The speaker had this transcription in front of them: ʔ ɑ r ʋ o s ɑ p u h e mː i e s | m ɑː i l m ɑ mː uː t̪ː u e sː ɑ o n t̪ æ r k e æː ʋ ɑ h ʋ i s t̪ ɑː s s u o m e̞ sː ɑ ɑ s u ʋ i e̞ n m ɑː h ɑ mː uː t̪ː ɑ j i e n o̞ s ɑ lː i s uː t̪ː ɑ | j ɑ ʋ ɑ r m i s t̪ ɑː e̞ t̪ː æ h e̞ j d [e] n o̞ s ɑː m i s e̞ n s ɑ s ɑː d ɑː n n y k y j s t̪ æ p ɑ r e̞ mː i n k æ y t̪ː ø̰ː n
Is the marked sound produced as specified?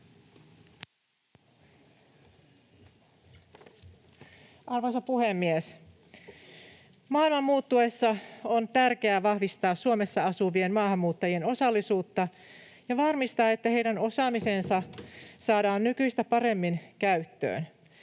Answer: no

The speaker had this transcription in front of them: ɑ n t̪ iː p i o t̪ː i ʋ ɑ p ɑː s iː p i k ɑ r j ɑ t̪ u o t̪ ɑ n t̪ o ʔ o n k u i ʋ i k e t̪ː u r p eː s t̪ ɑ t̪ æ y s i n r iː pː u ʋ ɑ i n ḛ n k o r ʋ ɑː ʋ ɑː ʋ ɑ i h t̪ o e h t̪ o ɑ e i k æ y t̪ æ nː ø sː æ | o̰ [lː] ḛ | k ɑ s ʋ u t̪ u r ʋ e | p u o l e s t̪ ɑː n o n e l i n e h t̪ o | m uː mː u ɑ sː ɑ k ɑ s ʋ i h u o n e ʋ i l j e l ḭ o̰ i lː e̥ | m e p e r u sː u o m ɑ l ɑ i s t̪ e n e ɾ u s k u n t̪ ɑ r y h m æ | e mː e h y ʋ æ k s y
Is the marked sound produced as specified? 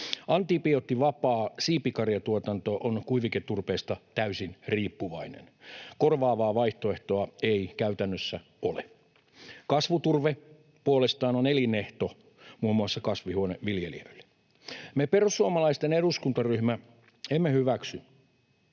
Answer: no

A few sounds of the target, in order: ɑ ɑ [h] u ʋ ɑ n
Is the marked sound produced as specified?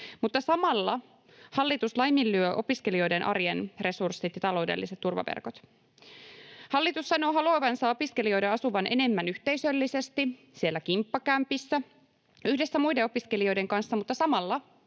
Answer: no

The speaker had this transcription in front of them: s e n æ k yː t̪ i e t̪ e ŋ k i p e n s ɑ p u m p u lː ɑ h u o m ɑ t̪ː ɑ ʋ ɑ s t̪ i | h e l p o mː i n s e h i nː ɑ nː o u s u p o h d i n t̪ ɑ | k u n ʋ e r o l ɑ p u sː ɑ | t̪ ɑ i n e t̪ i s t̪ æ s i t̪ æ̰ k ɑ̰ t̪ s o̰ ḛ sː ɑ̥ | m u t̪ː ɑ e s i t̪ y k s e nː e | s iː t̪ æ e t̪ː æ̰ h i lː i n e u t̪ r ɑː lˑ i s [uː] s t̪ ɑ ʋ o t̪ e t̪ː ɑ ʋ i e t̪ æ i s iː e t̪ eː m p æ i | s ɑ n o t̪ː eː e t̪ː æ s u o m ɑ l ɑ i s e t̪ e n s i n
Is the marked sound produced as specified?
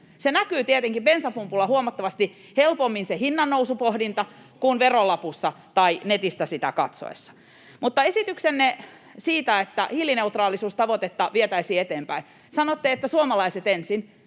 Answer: yes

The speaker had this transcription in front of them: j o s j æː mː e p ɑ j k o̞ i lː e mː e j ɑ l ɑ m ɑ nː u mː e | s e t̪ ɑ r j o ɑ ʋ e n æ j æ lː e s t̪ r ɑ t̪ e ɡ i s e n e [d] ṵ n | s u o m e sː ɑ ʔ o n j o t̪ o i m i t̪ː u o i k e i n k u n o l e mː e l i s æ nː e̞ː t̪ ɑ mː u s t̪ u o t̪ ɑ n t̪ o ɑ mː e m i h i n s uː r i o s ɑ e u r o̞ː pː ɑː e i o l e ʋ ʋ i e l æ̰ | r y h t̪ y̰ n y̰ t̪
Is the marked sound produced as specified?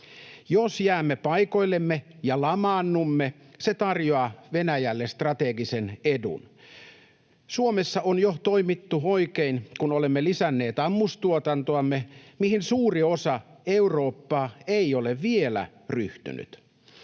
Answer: yes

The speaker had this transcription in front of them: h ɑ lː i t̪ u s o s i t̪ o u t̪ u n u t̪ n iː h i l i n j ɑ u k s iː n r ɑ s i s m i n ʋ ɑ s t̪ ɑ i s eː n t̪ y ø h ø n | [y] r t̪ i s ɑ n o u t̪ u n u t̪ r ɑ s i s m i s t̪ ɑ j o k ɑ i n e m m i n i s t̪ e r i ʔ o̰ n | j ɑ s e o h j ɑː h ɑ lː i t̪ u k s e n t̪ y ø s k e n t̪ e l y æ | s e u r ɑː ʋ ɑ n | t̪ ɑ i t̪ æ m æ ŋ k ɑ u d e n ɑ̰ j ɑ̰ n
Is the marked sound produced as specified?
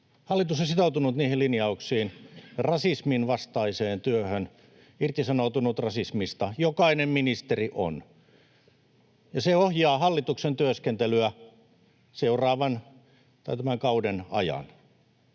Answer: no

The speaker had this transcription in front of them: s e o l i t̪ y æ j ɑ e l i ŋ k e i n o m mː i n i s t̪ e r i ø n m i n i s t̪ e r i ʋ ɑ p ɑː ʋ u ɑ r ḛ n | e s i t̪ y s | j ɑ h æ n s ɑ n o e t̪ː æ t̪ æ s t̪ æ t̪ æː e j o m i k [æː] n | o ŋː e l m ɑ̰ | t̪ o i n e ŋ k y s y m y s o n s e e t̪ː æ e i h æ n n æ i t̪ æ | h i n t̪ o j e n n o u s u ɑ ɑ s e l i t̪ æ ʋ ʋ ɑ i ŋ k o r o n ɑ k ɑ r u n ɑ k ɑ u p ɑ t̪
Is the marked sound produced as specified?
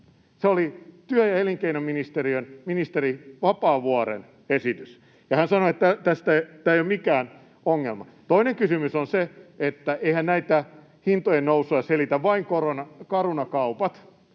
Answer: yes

